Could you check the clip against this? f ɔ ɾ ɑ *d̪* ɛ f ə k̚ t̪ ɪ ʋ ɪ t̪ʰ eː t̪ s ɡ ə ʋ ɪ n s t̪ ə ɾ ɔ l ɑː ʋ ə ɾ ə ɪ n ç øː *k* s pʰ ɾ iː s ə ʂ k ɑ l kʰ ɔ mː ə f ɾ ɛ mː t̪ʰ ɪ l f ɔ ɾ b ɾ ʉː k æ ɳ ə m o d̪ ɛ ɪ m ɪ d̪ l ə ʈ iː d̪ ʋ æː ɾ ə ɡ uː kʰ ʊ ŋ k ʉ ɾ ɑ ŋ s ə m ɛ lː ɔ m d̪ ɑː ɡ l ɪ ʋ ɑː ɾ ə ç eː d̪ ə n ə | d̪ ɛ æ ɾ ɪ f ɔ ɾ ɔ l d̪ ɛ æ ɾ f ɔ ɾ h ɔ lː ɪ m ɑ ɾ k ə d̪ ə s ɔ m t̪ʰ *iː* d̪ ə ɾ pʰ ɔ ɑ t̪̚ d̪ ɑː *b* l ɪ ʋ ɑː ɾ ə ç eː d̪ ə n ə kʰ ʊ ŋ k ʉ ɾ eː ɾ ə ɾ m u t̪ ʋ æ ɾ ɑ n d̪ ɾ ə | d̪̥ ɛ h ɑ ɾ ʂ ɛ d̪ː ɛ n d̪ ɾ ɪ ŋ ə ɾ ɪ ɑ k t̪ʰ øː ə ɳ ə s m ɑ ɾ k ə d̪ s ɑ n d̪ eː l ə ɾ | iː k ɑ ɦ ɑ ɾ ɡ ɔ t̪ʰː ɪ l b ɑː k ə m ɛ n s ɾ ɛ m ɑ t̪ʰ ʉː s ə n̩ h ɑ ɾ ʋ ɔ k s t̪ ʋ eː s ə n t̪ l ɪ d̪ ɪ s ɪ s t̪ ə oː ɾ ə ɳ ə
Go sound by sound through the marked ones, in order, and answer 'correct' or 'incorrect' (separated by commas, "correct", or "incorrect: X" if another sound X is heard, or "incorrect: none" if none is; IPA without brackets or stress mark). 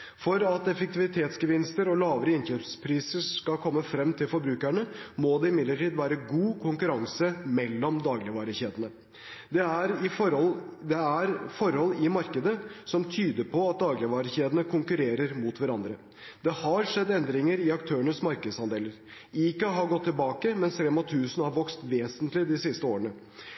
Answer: incorrect: t̪, incorrect: p, incorrect: yː, incorrect: ɡ